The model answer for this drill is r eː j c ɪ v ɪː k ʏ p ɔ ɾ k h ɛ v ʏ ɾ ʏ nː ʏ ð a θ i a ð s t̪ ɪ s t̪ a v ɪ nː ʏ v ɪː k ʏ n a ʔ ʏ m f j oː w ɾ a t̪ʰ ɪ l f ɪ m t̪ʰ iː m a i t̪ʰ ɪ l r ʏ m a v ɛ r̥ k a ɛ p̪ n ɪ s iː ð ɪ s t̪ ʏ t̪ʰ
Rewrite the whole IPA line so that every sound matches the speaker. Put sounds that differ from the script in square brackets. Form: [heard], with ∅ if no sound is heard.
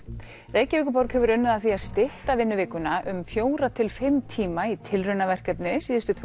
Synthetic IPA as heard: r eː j c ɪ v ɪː k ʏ p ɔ ɾ k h ɛ v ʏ ɾ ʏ nː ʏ ð a θ i a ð s t̪ ɪ [h] t̪ a v ɪ nː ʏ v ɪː k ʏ n a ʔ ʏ m f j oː w ɾ a t̪ʰ ɪ l f ɪ m t̪ʰ iː m a i t̪ʰ ɪ l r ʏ [n] a v ɛ r̥ k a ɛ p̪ n ɪ s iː ð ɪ s t̪ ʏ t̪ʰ